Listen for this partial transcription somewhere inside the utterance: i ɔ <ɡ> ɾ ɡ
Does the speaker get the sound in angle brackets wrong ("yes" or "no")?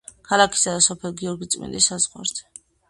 yes